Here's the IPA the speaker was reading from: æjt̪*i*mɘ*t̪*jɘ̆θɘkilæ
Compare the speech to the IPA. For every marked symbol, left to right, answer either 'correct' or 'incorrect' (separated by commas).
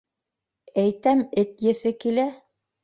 incorrect, correct